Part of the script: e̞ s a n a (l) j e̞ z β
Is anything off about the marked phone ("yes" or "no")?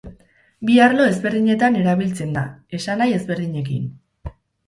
yes